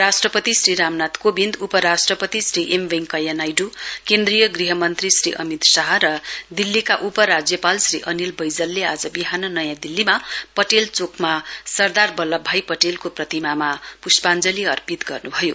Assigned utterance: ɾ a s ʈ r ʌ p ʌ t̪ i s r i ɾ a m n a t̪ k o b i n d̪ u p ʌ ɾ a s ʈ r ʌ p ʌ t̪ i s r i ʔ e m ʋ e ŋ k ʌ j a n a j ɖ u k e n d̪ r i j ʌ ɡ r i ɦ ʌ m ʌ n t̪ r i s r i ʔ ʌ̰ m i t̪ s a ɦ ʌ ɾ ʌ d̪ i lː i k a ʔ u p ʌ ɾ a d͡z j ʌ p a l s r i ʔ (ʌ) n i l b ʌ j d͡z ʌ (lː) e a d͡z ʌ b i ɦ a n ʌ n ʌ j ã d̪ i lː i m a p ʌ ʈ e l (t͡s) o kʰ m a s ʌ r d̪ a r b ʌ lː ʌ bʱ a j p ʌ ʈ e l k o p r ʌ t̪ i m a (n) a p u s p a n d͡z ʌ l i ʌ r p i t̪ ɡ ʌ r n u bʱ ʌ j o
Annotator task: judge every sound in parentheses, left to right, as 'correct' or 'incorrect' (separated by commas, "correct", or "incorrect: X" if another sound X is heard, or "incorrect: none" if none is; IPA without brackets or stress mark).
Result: correct, correct, correct, incorrect: m